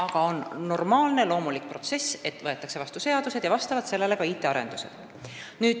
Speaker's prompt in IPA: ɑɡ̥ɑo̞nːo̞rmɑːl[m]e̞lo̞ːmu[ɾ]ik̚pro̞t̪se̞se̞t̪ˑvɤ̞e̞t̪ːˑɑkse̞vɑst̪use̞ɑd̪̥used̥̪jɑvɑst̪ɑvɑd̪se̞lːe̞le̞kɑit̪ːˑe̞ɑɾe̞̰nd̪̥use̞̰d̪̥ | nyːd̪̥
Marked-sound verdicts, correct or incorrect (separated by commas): incorrect, incorrect